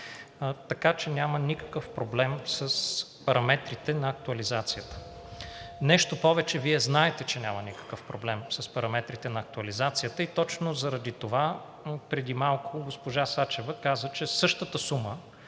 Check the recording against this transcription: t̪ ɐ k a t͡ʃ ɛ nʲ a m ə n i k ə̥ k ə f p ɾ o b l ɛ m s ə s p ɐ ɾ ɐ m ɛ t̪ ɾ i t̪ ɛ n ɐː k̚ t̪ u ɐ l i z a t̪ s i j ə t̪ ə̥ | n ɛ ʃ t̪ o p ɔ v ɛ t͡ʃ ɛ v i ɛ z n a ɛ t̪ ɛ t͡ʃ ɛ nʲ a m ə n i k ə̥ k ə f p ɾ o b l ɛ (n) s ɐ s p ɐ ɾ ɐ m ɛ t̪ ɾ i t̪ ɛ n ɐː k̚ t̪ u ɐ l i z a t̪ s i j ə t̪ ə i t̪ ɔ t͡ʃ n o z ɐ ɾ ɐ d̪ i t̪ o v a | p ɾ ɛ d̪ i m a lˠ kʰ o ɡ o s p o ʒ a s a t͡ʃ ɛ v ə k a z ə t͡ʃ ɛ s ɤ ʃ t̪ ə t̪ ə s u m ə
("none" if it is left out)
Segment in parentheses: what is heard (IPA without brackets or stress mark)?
m